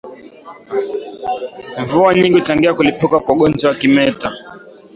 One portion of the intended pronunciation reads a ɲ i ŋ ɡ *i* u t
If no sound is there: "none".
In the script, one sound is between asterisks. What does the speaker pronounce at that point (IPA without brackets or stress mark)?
i